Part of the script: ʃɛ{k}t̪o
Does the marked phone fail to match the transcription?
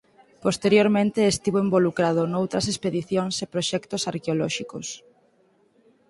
no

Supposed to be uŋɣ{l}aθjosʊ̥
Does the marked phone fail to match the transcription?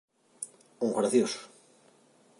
yes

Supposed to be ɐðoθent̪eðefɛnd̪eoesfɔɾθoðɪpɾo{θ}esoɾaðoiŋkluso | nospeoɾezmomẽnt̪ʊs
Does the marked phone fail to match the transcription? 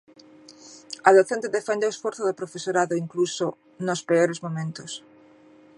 yes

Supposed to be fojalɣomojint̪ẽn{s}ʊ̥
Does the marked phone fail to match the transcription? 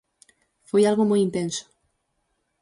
no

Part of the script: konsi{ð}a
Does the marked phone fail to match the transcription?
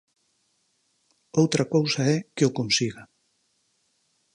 yes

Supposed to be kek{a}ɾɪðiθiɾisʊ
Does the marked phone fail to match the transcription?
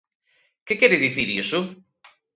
yes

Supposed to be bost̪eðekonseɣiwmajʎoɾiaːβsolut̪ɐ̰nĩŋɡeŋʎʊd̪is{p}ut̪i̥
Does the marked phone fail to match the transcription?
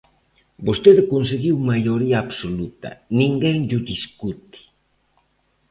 yes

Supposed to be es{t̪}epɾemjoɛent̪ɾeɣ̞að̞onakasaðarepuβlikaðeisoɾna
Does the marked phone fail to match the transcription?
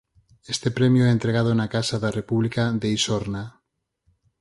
no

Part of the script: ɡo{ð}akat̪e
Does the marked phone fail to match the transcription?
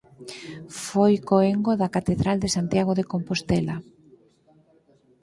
no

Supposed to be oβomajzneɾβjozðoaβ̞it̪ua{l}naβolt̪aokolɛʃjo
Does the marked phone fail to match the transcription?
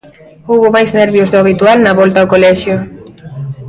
no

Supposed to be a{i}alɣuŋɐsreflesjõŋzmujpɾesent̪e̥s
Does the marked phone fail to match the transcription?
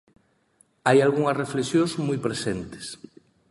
yes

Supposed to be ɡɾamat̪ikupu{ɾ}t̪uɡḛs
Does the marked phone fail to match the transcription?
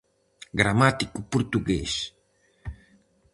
no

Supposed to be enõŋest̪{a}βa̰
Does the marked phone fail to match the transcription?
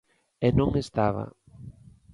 no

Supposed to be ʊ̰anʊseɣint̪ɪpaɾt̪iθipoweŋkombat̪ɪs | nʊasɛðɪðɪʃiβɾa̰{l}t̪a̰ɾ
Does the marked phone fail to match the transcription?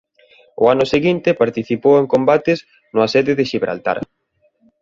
no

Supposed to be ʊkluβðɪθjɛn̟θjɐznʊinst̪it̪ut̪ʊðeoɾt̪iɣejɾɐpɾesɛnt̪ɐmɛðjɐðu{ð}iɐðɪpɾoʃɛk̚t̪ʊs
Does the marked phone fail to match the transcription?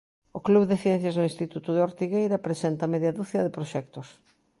yes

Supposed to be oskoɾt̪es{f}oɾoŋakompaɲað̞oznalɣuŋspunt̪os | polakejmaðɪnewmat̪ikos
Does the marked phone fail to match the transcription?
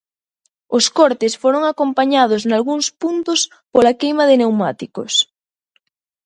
no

